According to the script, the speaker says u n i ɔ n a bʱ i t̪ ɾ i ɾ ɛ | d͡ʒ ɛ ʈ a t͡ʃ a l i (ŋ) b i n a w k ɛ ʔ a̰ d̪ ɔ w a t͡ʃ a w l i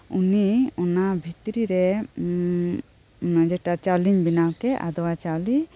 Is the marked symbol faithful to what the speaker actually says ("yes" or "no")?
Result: no